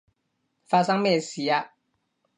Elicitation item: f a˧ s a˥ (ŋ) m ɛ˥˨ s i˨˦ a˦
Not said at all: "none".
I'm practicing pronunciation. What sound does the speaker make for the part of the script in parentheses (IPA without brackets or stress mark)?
ŋ